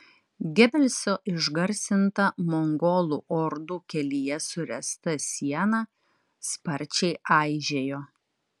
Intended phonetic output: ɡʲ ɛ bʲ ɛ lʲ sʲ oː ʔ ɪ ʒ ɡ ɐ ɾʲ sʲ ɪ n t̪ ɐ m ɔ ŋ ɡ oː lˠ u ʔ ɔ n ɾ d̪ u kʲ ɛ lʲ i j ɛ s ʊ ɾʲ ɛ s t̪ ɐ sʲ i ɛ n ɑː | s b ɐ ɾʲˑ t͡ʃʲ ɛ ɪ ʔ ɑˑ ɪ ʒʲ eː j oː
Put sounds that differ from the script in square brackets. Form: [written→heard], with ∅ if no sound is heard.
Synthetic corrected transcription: ɡʲ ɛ bʲ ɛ lʲ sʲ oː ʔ ɪ ʒ ɡ ɐ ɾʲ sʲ ɪ n t̪ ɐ m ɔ ŋ ɡ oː lˠ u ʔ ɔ [n→∅] ɾ d̪ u kʲ ɛ lʲ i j ɛ s ʊ ɾʲ ɛ s t̪ ɐ sʲ i ɛ n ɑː | s [b→p] ɐ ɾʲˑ t͡ʃʲ ɛ ɪ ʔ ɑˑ ɪ ʒʲ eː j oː